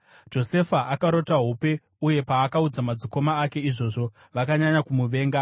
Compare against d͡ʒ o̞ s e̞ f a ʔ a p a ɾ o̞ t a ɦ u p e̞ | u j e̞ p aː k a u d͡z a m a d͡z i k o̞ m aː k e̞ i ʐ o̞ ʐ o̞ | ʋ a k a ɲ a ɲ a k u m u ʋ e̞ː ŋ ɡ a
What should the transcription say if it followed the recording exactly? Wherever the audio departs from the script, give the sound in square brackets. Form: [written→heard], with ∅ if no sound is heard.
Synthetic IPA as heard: d͡ʒ o̞ s e̞ f a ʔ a [p→k] a ɾ o̞ t a ɦ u p e̞ | u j e̞ p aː k a u d͡z a m a d͡z i k o̞ m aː k e̞ i ʐ o̞ ʐ o̞ | ʋ a k a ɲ a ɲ a k u m u ʋ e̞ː ŋ ɡ a